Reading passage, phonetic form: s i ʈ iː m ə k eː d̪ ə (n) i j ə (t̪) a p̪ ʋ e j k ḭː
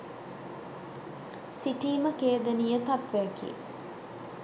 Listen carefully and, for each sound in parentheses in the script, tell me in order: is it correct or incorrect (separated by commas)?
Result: correct, correct